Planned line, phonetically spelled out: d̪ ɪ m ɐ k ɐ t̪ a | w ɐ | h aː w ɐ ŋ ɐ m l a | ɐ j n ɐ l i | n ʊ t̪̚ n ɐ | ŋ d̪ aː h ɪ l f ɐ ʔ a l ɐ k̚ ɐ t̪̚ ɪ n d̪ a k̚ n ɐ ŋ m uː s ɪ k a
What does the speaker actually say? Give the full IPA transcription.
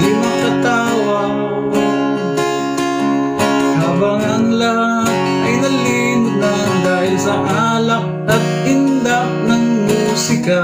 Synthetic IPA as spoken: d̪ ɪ m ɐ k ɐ t̪ a | w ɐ | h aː b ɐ ŋ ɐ ŋ l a | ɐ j n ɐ l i | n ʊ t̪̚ n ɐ | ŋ d̪ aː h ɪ l s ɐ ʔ a l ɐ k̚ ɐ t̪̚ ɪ n d̪ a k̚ n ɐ ŋ m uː s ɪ k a